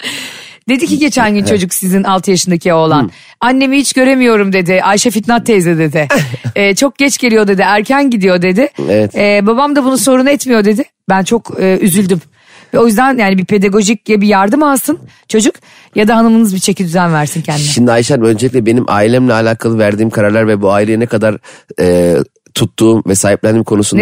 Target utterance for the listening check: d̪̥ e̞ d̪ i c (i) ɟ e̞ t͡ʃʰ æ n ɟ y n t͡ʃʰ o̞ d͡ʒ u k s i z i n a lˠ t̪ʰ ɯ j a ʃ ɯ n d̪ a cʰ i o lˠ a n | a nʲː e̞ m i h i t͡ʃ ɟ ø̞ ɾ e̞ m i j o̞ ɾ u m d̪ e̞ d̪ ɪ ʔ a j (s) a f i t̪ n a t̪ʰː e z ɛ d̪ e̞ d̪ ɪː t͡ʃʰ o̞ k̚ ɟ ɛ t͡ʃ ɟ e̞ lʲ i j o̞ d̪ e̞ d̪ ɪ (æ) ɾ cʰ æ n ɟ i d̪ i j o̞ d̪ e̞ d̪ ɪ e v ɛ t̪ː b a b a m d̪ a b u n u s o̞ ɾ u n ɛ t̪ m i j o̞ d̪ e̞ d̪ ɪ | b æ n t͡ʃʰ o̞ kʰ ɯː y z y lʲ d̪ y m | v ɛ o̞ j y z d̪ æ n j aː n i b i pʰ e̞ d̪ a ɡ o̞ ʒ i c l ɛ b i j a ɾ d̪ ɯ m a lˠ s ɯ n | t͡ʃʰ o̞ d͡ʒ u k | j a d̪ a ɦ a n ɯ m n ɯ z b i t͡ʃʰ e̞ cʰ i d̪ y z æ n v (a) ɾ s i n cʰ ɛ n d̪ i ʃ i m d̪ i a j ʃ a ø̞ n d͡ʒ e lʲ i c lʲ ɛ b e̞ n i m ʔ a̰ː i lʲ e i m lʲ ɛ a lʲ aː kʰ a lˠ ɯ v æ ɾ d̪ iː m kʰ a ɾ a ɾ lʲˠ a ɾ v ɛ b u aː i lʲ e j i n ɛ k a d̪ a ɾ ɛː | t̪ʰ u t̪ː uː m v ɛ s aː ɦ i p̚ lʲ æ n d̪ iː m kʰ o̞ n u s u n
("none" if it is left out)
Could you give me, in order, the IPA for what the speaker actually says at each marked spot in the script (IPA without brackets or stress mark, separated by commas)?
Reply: i, ʃ, æ, æ